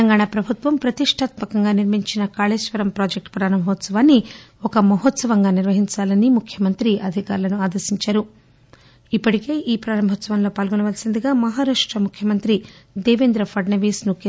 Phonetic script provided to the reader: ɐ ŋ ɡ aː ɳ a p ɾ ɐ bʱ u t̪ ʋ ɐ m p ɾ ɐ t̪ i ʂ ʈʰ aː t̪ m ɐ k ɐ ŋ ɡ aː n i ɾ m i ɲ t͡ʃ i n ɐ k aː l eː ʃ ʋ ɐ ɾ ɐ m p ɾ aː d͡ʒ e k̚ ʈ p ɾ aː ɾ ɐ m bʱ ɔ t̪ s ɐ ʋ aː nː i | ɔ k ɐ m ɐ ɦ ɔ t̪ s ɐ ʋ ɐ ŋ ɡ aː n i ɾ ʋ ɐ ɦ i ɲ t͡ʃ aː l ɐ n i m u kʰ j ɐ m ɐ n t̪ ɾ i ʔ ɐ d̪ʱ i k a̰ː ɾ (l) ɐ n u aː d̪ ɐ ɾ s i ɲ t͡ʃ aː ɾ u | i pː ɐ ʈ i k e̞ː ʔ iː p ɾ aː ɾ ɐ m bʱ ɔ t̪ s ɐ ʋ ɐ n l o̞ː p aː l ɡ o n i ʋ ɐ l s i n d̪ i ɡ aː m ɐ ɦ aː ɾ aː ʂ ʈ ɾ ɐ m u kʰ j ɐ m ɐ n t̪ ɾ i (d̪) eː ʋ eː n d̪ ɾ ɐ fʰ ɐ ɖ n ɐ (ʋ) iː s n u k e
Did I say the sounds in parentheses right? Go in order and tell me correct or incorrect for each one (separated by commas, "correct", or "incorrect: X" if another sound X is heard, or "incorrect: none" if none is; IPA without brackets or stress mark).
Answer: correct, correct, correct